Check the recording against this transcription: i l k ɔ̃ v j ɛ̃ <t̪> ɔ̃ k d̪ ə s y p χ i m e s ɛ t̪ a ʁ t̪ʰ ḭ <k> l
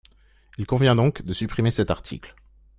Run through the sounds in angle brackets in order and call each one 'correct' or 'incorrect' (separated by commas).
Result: incorrect, correct